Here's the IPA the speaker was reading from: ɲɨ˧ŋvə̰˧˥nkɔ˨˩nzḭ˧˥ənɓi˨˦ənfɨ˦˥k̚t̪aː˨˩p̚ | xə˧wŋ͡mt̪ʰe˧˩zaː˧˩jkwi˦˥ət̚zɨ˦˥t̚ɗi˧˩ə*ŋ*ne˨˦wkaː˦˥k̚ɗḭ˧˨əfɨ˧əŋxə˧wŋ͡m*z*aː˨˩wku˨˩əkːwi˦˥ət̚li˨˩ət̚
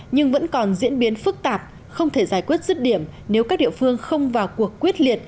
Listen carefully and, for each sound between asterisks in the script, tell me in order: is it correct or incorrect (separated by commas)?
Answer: incorrect, incorrect